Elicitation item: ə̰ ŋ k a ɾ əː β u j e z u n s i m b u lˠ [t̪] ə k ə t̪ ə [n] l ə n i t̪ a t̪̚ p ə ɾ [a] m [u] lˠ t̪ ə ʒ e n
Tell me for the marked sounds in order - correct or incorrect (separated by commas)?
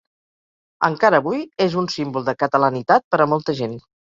incorrect, incorrect, incorrect, incorrect